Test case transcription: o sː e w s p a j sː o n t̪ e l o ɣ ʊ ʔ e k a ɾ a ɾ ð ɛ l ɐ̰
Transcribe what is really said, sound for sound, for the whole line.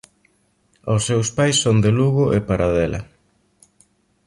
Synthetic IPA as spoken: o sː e w s p a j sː o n d̪ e l u ɣ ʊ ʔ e p a ɾ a ð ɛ l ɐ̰